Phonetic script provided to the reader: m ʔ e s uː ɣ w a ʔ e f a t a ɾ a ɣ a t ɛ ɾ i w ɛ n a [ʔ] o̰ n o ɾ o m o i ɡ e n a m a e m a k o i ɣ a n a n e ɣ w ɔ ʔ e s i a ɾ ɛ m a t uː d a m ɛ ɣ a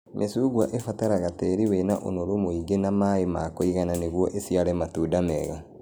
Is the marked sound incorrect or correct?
correct